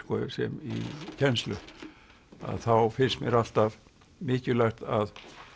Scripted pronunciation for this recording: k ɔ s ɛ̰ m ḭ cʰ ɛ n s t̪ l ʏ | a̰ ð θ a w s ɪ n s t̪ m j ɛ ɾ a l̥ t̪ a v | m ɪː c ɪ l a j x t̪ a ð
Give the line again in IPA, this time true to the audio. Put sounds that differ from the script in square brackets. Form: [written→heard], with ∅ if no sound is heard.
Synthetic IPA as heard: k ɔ s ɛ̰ m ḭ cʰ ɛ n s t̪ l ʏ | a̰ ð θ a w [s→f] ɪ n s t̪ m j ɛ ɾ a l̥ t̪ a v | m ɪː c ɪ l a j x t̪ a ð

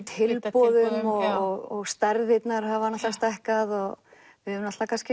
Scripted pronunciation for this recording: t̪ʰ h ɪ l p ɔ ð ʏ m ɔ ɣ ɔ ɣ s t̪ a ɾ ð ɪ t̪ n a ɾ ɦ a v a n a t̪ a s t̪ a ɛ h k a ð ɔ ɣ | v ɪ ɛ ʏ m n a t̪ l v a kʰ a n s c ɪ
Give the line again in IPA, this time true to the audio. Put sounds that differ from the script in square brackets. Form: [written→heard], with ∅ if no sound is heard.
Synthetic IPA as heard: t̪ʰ h ɪ l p ɔ ð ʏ m ɔ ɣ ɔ ɣ s t̪ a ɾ ð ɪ t̪ n a ɾ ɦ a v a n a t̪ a s t̪ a ɛ h k a ð ɔ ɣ | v ɪ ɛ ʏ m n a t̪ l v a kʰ a n s c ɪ

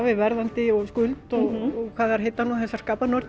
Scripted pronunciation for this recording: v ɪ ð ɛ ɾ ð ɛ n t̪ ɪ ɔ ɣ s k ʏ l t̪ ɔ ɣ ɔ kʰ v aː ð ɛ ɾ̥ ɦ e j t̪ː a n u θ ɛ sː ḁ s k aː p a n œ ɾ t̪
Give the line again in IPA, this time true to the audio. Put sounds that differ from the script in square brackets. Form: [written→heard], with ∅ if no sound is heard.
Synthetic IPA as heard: v ɪ [ð→v] ɛ ɾ ð [ɛ→a] n t̪ ɪ ɔ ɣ s k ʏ l t̪ ɔ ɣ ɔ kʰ v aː ð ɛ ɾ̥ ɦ e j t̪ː a n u θ ɛ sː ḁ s k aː p a n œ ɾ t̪

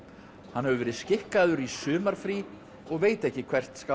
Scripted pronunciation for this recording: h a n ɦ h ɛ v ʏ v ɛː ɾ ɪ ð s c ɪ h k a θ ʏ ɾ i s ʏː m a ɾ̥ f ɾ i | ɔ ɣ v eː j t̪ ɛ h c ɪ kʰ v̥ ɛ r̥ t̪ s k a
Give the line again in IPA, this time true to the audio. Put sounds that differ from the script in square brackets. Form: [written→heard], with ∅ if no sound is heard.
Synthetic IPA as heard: h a n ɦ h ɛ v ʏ v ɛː ɾ ɪ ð s c ɪ h k a [θ→ð] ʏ ɾ i s ʏː m a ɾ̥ f ɾ i | ɔ ɣ v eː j t̪ ɛ h c ɪ kʰ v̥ ɛ r̥ t̪ s k a

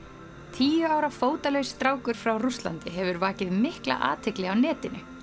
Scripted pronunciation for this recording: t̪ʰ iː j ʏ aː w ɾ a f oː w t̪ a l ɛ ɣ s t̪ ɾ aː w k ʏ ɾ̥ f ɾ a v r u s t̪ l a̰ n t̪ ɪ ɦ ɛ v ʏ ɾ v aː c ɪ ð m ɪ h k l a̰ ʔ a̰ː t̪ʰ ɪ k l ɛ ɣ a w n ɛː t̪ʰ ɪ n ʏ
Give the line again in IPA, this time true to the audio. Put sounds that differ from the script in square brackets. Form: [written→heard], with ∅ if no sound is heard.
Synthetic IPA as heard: t̪ʰ iː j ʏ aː w ɾ a f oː w t̪ a l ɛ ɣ s t̪ ɾ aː w k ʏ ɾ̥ f ɾ a [v→w] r u s t̪ l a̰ n t̪ ɪ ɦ ɛ v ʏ ɾ v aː c ɪ ð m ɪ h k l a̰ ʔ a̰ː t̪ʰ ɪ k l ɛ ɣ a w n ɛː [t̪ʰ→t̪] ɪ n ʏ

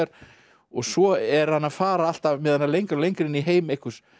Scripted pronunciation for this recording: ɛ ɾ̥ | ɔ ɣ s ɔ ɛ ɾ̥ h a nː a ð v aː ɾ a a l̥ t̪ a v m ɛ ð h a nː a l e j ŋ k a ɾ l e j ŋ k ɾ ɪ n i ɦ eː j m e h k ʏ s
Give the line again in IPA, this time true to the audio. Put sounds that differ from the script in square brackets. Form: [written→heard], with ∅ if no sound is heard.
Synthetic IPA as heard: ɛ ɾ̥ | ɔ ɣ s ɔ ɛ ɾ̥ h a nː a ð [v→f] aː ɾ a a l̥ t̪ a v m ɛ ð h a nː a l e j ŋ k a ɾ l e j ŋ k ɾ ɪ n i ɦ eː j m e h k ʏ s

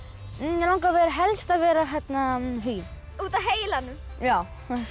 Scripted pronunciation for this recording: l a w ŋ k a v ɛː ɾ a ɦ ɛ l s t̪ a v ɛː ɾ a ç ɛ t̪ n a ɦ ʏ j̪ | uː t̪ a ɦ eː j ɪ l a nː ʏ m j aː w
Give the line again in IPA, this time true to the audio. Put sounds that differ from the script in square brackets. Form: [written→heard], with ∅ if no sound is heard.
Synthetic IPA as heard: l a w ŋ k a v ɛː ɾ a ɦ ɛ l s t̪ a v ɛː ɾ a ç ɛ t̪ n a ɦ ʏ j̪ | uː t̪ a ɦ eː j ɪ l a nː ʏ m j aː w

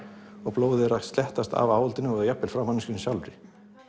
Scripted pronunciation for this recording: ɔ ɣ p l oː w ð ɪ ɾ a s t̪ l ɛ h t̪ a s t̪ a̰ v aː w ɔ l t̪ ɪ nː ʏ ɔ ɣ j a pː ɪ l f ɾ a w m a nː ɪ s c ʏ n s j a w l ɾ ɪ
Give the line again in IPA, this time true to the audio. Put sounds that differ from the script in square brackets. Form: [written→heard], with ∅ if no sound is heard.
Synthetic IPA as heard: ɔ ɣ p l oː w ð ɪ ɾ a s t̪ l ɛ h t̪ a s t̪ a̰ v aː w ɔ l t̪ ɪ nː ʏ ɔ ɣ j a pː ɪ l f ɾ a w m a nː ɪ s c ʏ n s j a w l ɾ ɪ

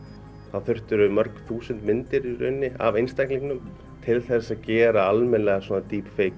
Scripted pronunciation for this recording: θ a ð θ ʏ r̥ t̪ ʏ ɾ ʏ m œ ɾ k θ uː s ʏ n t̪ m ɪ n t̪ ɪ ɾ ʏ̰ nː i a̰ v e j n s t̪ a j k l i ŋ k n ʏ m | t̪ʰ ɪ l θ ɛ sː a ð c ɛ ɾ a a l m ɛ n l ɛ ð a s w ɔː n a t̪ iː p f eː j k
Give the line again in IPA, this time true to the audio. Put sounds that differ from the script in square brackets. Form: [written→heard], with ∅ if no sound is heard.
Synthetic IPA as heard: θ a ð θ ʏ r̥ t̪ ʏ ɾ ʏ m œ ɾ k θ uː s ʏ n t̪ m ɪ n t̪ ɪ ɾ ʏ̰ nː [i→ɪ] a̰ v e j n s t̪ a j k l i ŋ k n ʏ m | t̪ʰ ɪ l θ ɛ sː a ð c [ɛ→ɛː] ɾ a a l m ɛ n l ɛ [ð→ɣ] a s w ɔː n a t̪ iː p f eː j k

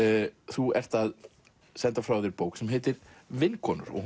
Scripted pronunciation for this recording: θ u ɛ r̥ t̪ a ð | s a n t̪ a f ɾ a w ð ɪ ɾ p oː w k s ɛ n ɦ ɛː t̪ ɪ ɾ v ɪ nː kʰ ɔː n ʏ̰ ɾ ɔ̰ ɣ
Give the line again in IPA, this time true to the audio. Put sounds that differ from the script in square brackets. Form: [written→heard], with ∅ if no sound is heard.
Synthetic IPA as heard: θ u ɛ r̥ t̪ a ð | s [a→ɛ] n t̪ a f ɾ a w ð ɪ ɾ p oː w k s ɛ [n→m] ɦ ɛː t̪ ɪ ɾ v ɪ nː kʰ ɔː n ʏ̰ ɾ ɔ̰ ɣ

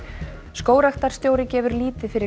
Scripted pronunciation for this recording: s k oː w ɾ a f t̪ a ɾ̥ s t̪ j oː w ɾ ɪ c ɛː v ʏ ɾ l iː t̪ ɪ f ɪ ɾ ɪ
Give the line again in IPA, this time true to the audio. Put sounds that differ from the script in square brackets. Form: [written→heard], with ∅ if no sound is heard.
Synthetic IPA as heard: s k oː w ɾ a [f→x] t̪ a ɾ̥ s t̪ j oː w ɾ ɪ c ɛː v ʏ ɾ l iː t̪ ɪ f ɪ ɾ ɪ

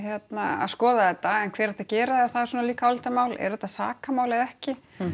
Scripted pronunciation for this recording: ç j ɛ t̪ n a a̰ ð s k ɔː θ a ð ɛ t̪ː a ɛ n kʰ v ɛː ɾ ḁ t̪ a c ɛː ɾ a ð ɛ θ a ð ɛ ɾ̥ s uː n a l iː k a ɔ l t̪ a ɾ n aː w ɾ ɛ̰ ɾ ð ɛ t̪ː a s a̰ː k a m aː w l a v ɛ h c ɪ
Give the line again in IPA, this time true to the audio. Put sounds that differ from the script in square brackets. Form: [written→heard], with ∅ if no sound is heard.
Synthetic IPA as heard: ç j ɛ t̪ n a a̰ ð s k ɔː [θ→ð] a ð ɛ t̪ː a ɛ n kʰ v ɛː ɾ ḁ t̪ a c ɛː ɾ a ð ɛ θ a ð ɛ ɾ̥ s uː n a l iː k a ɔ l t̪ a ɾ [n→m] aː w [ɾ→l] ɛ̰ ɾ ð ɛ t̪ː a s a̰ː k a m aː w l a [v→ð] ɛ h c ɪ

